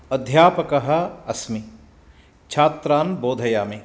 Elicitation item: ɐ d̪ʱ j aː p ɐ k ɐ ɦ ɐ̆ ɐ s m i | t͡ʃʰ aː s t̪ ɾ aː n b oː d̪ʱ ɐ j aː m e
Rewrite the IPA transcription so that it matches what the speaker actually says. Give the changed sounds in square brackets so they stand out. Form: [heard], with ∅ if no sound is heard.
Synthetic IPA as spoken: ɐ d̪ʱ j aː p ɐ k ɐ ɦ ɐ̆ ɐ s m i | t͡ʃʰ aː [∅] t̪ ɾ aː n b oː d̪ʱ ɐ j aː m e